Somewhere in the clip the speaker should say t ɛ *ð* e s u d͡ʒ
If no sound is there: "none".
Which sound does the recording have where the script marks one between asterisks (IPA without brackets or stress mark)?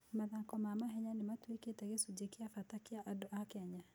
ɣ